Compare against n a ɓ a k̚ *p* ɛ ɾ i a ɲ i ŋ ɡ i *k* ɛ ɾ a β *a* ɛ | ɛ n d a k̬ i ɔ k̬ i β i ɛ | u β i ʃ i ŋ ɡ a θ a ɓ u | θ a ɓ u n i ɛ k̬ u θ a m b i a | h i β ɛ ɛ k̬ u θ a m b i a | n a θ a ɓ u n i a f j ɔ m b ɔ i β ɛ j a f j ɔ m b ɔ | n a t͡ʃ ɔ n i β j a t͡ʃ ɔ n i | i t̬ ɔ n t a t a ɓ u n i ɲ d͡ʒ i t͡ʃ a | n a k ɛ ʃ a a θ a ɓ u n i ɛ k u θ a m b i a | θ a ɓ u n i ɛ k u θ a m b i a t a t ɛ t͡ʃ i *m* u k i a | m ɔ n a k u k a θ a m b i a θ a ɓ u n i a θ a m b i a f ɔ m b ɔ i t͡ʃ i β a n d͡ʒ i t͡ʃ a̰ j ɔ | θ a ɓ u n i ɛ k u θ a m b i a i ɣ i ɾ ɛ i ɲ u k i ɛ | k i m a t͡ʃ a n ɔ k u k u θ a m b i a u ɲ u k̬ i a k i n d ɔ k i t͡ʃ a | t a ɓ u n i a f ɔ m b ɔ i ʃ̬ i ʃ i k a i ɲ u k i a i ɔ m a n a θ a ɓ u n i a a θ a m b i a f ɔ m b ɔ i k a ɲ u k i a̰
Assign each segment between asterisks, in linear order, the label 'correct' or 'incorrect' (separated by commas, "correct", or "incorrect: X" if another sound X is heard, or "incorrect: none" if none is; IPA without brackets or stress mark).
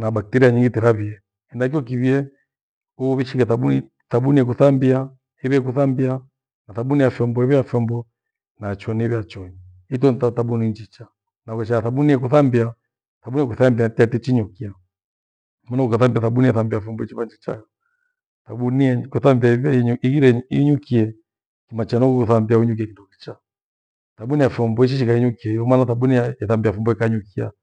incorrect: t, incorrect: t, incorrect: i, incorrect: ɲ